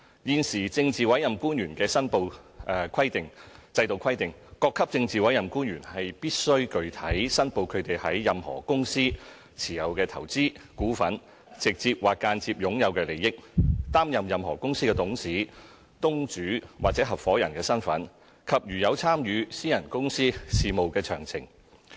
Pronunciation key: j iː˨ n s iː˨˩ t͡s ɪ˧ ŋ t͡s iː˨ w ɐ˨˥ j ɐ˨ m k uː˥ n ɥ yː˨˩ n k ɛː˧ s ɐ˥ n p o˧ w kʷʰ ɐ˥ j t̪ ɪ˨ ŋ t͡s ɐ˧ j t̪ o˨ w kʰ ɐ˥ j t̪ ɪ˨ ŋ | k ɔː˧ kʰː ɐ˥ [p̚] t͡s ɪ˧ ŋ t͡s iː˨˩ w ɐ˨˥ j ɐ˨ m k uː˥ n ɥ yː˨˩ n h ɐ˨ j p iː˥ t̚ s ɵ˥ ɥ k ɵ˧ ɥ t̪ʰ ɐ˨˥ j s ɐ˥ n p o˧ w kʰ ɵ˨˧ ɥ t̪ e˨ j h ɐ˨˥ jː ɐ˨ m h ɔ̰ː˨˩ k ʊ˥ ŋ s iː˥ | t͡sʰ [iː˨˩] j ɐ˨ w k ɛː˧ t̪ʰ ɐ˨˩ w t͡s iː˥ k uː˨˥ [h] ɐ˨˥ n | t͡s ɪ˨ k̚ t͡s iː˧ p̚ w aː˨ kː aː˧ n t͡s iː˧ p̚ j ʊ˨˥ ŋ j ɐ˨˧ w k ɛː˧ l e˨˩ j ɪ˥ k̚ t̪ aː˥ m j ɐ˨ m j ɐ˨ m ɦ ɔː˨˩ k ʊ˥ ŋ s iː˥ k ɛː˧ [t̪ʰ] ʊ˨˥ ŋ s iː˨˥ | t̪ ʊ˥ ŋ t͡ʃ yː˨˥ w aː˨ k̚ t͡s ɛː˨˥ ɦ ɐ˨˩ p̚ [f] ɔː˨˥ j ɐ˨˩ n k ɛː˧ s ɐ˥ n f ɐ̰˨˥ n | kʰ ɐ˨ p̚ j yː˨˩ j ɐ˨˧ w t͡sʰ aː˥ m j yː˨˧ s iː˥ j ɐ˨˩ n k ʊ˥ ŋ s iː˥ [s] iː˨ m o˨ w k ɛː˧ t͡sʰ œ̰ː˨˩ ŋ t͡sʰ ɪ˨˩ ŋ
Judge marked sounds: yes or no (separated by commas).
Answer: yes, yes, no, no, yes, yes